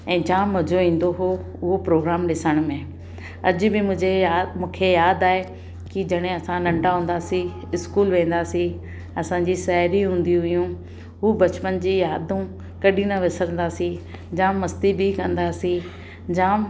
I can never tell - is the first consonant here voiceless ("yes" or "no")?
no